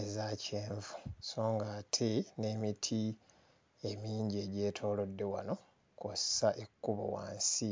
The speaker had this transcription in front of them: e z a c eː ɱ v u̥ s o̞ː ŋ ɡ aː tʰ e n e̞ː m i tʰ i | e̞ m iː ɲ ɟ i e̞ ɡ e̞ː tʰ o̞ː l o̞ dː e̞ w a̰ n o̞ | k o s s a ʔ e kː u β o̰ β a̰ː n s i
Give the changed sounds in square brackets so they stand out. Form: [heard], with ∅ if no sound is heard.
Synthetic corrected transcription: e z a c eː ɱ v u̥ s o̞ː ŋ ɡ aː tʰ e n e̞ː m i tʰ i | e̞ m iː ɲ ɟ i e̞ [ɟ] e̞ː tʰ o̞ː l o̞ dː e̞ w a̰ n o̞ | k o s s a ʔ e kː u β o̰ [w] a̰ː n s i